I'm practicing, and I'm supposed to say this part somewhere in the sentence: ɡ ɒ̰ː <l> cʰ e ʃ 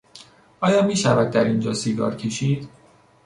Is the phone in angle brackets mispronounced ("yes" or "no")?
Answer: yes